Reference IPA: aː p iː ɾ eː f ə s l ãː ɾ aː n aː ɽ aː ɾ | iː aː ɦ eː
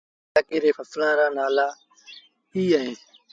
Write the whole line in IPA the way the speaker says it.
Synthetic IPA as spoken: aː k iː ɾ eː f ə s l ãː ɾ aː n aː l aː | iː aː ɦ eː